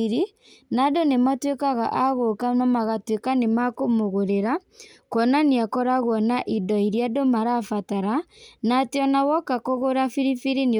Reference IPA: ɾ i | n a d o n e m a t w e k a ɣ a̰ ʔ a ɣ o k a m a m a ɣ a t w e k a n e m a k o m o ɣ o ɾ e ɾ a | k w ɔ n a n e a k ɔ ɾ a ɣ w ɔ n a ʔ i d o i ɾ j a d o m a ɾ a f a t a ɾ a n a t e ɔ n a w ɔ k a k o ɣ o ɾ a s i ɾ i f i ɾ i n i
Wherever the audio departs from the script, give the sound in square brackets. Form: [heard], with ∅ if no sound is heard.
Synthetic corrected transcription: ɾ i | n a d o n e m a t w e k a ɣ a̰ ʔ a ɣ o k a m a m a ɣ a t w e k a n e m a k o m o ɣ o ɾ e ɾ a | k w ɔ n a n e a k ɔ ɾ a ɣ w ɔ n a ʔ i d [ɔ] i ɾ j a d o m a ɾ a f a t a ɾ a n a t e ɔ n a w ɔ k a k o ɣ o ɾ a [f] i ɾ i f i ɾ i n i